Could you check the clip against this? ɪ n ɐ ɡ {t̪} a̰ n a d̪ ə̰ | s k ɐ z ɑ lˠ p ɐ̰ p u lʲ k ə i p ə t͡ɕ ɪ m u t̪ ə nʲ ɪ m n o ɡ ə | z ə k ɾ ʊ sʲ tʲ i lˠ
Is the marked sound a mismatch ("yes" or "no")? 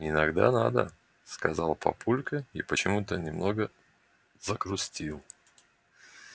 yes